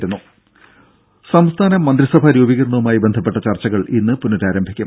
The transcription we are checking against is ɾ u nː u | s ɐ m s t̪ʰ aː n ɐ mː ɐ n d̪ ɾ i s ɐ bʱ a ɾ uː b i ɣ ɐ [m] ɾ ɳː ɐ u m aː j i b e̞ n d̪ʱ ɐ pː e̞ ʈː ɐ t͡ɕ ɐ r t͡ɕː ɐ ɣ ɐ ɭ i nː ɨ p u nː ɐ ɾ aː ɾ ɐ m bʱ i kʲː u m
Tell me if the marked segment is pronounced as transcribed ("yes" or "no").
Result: no